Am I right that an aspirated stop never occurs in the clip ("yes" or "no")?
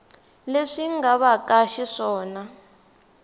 yes